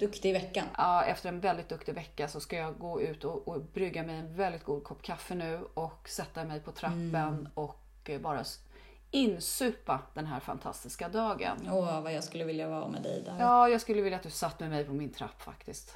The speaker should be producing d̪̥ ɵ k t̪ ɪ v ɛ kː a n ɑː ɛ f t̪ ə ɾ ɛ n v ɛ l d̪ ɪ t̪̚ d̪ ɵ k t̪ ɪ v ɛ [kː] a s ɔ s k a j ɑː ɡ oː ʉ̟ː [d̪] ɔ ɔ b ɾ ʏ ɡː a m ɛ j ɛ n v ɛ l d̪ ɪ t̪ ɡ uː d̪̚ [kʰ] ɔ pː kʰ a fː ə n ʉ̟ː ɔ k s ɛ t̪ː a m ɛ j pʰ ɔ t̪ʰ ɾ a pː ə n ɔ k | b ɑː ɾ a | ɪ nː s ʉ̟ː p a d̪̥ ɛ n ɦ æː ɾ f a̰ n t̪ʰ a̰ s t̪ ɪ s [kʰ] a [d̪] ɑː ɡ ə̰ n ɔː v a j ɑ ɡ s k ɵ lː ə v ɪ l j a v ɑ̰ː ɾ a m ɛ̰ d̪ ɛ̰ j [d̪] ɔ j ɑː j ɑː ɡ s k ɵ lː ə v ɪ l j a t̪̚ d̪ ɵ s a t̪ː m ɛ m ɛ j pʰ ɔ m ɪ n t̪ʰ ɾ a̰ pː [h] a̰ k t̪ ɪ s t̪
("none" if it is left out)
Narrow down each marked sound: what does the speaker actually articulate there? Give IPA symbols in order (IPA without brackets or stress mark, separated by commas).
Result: kː, t̪, kʰ, k, d̪, d̪, f